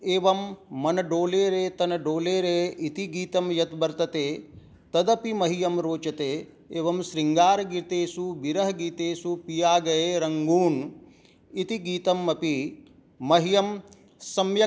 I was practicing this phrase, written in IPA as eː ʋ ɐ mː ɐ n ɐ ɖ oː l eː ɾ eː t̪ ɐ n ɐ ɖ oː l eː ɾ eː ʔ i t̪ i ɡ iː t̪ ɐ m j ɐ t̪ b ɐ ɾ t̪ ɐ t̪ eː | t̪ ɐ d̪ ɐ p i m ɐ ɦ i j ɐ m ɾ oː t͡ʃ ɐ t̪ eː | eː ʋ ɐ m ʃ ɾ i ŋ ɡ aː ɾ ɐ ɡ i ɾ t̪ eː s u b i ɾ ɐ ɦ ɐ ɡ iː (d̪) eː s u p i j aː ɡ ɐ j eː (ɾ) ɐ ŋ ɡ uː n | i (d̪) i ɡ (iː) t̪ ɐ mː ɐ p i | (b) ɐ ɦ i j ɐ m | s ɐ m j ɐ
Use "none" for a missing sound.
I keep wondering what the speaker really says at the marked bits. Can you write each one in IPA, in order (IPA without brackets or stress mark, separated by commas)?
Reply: t̪, ɾ, t̪, iː, m